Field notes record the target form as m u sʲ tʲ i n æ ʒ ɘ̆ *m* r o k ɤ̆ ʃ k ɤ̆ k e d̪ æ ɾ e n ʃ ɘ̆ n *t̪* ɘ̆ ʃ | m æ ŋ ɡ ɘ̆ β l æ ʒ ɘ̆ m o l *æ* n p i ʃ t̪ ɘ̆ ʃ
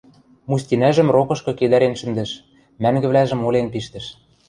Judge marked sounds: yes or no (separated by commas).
yes, no, no